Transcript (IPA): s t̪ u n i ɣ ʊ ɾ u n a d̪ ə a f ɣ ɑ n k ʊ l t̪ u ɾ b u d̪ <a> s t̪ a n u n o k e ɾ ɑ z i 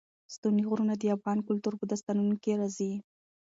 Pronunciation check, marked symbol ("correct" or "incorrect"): correct